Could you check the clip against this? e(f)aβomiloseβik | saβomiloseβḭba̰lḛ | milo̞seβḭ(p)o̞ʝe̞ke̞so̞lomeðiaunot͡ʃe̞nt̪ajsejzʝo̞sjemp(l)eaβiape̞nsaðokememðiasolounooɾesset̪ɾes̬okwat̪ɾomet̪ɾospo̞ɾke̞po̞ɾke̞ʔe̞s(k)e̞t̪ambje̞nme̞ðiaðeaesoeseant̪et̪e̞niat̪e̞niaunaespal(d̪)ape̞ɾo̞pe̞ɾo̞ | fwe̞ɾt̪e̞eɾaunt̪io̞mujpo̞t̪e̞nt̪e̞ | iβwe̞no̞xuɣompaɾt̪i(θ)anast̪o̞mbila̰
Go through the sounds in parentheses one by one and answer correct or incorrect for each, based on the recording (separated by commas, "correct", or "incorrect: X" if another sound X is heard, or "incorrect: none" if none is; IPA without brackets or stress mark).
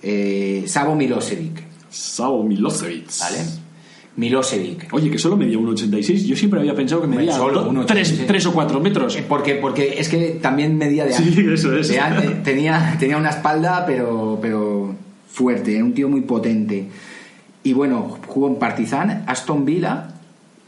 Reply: incorrect: s, incorrect: k, incorrect: ɾ, correct, correct, correct